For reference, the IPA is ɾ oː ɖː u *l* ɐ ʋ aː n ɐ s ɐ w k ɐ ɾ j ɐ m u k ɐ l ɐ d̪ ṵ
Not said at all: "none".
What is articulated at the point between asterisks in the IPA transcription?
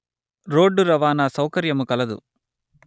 ɾ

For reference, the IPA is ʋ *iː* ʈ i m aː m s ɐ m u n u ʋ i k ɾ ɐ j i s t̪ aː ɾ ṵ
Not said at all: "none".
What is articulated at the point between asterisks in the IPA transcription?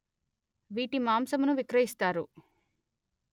iː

